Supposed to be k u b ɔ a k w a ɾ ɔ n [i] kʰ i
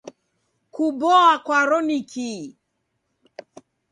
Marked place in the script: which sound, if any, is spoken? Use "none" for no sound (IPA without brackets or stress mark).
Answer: i